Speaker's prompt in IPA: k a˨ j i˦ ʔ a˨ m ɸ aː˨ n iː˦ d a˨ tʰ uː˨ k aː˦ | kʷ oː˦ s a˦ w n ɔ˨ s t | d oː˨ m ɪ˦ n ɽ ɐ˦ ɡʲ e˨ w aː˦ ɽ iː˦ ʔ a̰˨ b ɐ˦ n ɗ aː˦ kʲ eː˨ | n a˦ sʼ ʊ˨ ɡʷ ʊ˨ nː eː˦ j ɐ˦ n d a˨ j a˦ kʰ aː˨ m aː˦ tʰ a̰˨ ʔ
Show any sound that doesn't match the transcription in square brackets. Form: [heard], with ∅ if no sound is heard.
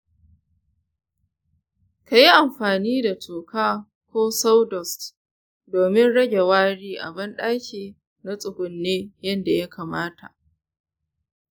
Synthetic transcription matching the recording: k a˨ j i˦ ʔ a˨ m ɸ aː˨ n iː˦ d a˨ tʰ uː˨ k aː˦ | kʷ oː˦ s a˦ w [d] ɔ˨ s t | d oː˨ m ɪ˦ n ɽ ɐ˦ ɡʲ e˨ w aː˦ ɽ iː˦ ʔ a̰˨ b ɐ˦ n ɗ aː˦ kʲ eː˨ | n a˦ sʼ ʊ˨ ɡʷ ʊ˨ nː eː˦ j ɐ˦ n d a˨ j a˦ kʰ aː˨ m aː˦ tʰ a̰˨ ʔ